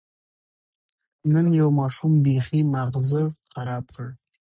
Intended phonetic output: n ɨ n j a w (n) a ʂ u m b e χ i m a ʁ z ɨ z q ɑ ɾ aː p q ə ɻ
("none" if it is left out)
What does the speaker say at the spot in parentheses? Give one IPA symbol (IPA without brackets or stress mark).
m